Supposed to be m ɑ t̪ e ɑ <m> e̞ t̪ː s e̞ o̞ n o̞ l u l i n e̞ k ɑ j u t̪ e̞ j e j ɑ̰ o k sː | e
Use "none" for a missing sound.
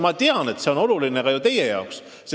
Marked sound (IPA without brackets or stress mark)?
n